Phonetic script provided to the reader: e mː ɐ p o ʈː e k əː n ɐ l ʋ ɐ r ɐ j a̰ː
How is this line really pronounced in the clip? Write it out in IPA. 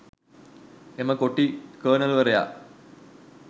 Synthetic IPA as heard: e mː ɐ k o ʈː i k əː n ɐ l ʋ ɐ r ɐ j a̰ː